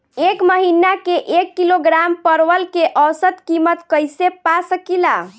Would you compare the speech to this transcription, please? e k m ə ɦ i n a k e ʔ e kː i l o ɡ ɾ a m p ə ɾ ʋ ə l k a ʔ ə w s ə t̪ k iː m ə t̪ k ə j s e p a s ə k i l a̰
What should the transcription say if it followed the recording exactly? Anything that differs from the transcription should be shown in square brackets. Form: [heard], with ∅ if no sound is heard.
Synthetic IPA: e k m ə ɦ i n a k e ʔ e kː i l o ɡ ɾ a m p ə ɾ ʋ ə l k [e] ʔ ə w s ə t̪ k [i] m ə t̪ k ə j s e p a s ə k i l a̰